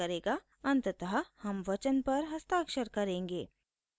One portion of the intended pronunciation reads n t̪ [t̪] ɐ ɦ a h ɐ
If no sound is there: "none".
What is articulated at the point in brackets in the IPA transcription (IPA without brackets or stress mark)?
t̪